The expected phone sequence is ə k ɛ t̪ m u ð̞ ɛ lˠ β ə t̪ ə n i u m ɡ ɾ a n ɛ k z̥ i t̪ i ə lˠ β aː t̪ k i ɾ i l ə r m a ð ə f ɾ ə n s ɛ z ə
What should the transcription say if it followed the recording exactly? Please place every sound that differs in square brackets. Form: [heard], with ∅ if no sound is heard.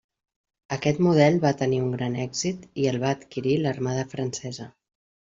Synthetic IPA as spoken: ə k ɛ t̪ m u ð̞ ɛ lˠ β [a] t̪ ə n i u [ŋ] ɡ ɾ a n ɛ [ɡ] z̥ i t̪ i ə lˠ β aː t̪ k i ɾ i l ə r m a ð ə f ɾ ə n s ɛ z ə